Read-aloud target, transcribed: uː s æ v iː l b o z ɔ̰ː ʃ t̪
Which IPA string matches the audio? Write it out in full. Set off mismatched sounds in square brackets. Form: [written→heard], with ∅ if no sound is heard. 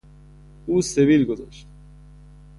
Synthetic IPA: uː s [æ→e] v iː l [b→ɡ] o z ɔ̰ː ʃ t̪